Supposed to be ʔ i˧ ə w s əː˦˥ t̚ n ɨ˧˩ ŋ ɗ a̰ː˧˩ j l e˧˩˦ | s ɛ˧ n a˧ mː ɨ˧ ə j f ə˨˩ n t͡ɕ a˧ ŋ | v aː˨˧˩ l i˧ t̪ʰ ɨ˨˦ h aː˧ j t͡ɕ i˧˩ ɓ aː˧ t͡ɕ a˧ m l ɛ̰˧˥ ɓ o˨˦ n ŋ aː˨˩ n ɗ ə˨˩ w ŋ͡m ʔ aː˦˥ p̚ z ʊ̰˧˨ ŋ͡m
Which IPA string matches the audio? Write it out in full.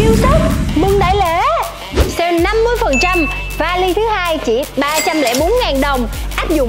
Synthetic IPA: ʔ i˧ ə w s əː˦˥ t̚ m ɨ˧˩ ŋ ɗ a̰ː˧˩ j l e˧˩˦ | s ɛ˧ n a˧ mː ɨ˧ ə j f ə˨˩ n t͡ɕ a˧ m | v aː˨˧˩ l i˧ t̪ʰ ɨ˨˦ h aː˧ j t͡ɕ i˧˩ ɓ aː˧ t͡ɕ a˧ m l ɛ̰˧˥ ɓ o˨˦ n ŋ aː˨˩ n ɗ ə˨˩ w ŋ͡m ʔ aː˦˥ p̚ z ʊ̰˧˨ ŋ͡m